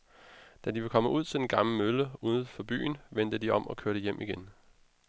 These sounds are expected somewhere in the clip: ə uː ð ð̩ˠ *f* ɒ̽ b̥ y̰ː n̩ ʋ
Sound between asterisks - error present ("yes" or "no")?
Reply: no